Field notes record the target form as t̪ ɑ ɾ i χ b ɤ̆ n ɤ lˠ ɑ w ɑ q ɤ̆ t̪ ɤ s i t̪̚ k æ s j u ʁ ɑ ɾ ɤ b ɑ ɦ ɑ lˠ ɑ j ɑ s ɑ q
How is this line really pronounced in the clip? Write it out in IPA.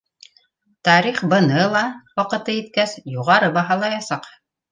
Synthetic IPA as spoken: t̪ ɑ ɾ i χ b ɤ̆ n ɤ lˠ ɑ w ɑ q ɤ̆ t̪ ɤ i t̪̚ k æ s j u ʁ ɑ ɾ ɤ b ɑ ɦ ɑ lˠ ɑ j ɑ s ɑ q